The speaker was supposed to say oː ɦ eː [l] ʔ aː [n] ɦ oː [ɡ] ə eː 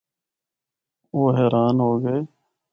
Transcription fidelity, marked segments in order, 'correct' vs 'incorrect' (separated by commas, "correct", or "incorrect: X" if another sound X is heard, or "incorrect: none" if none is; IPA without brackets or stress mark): incorrect: ɾ, correct, correct